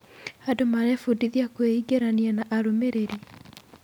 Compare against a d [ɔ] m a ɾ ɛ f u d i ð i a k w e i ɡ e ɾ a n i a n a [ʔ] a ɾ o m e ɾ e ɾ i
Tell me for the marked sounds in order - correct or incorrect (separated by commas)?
incorrect, correct